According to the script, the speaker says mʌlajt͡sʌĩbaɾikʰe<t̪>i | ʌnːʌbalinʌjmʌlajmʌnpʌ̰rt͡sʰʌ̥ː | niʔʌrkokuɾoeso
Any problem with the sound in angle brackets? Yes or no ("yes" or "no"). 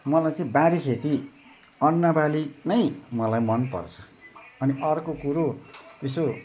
no